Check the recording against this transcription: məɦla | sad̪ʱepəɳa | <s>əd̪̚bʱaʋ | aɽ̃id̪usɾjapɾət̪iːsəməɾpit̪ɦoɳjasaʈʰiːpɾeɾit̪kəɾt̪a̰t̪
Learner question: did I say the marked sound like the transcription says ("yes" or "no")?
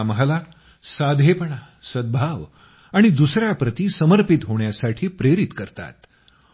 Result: yes